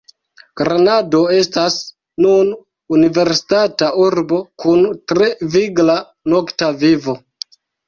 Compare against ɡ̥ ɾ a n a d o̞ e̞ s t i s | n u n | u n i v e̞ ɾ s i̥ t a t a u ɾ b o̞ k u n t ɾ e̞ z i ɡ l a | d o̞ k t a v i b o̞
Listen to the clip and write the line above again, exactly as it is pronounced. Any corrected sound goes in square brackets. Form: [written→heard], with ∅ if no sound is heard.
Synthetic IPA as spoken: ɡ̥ ɾ a n a d o̞ e̞ s t [i→a] s | n u n | u n i v e̞ ɾ s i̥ t a t a u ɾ b o̞ k u n t ɾ e̞ [z→v] i ɡ l a | [d→n] o̞ k t a v i [b→v] o̞